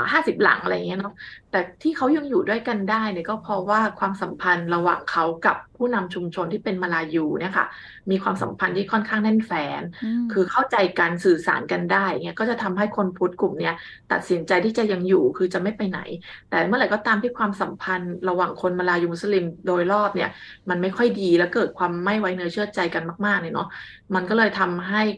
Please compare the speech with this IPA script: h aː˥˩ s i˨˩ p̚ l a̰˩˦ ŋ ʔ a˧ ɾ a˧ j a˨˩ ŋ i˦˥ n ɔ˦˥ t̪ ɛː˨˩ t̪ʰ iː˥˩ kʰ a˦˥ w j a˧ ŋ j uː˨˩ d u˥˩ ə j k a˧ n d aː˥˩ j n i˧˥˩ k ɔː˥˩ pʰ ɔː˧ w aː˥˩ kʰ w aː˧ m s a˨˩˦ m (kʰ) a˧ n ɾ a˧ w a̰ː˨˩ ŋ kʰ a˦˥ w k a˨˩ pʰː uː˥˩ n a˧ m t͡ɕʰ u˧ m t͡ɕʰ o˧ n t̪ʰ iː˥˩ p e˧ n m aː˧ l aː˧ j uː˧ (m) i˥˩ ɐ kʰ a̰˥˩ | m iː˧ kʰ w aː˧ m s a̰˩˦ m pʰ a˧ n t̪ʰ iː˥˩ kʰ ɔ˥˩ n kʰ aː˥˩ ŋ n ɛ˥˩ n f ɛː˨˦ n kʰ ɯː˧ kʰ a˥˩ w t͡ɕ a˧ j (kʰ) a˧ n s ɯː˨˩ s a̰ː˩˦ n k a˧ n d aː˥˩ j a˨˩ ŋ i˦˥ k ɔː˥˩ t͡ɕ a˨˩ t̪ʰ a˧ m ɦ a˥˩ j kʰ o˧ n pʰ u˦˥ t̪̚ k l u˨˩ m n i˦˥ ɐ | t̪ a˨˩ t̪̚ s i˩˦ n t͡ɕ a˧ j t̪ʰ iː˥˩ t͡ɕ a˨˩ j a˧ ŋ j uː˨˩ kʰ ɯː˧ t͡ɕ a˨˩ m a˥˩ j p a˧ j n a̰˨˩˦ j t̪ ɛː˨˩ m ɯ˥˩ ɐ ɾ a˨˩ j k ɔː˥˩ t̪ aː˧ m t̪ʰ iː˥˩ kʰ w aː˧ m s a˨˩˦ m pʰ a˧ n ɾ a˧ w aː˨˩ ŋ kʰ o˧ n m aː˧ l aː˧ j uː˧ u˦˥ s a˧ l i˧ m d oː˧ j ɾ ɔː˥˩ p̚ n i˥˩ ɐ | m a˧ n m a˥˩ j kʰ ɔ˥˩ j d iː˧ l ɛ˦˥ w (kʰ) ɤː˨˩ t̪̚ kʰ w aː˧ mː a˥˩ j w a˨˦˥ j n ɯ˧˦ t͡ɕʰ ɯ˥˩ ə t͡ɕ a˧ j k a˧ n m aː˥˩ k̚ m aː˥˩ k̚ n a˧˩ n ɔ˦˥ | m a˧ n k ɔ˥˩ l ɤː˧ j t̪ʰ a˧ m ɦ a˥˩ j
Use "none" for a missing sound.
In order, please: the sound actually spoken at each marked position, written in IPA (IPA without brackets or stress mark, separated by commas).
pʰ, n, k, k